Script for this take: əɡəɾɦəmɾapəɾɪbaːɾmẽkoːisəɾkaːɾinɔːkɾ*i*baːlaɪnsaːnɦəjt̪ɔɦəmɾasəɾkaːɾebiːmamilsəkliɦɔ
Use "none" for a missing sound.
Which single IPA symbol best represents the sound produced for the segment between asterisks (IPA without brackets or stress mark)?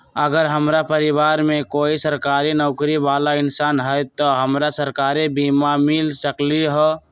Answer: i